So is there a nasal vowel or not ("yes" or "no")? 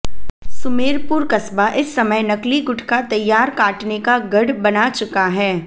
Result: no